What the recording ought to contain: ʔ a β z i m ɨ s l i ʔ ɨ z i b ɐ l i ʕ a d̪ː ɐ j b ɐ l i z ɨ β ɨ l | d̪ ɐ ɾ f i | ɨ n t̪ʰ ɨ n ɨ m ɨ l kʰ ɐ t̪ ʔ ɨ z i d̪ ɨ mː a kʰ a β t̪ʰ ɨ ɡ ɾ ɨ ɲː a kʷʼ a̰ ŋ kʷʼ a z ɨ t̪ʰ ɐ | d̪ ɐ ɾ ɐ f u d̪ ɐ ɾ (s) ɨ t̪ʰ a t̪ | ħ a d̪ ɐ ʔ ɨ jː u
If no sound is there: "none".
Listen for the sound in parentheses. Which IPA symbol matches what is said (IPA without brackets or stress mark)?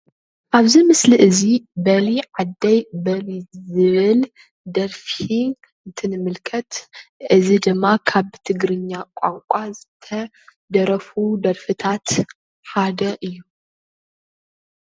f